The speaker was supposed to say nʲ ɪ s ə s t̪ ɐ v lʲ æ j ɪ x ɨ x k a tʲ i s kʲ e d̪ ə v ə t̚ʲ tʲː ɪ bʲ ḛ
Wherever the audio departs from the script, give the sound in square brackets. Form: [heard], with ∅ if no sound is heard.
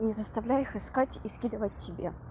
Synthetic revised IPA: nʲ ɪ [z] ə s t̪ ɐ v lʲ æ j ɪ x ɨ [s] k a tʲ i s kʲ [i] d̪ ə v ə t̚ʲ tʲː ɪ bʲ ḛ